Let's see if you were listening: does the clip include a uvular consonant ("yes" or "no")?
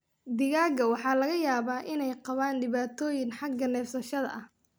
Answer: yes